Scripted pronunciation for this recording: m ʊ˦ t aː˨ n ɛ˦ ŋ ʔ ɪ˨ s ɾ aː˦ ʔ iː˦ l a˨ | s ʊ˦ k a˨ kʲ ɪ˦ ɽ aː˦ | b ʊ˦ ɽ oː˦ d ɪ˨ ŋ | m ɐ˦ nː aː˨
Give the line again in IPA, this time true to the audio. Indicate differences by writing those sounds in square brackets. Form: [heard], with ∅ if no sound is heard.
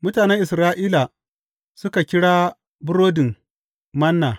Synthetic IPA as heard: m ʊ˦ t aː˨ n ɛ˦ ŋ ʔ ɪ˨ s ɾ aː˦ ʔ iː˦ l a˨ | s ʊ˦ k a˨ kʲ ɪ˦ ɽ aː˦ | b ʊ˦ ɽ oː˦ d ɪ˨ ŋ | m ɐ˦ nː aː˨